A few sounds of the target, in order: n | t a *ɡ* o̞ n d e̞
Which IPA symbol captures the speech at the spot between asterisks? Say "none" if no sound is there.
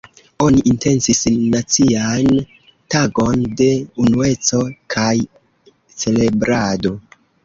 ɡ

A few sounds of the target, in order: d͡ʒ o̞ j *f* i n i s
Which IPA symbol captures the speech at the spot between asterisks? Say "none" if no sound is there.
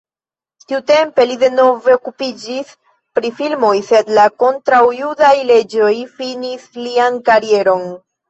f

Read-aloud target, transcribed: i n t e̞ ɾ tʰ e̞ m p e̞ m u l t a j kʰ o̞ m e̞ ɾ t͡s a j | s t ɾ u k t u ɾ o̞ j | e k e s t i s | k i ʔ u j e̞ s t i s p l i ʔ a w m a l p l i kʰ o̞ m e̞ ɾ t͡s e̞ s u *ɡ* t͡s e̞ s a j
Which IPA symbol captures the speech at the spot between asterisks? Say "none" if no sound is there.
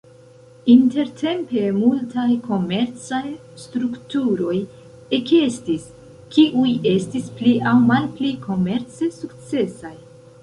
k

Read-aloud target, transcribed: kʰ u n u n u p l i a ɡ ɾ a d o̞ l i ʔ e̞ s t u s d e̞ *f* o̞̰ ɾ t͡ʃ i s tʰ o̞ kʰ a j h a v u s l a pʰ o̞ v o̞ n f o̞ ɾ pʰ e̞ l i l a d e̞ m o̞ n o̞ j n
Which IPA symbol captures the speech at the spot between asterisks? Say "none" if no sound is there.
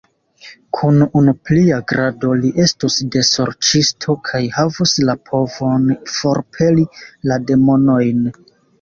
s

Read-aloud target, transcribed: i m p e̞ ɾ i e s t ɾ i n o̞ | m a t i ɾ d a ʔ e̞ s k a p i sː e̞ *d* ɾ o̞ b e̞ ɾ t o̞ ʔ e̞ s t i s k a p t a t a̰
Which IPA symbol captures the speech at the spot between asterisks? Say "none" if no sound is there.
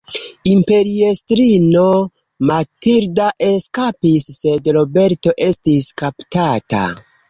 d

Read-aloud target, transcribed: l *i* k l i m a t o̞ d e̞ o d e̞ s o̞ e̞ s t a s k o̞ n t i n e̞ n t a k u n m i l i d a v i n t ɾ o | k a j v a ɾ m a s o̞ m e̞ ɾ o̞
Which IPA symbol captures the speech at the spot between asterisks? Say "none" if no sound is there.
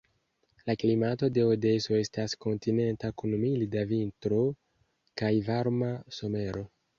a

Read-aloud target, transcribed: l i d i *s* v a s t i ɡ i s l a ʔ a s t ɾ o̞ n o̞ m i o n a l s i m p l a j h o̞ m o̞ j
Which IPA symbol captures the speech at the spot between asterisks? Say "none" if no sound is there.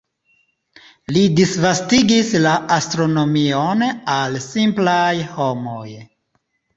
s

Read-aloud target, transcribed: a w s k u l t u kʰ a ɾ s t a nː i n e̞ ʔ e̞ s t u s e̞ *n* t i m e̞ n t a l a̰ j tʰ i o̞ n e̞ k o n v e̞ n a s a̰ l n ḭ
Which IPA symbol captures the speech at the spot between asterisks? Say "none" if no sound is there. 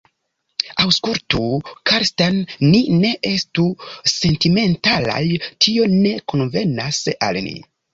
n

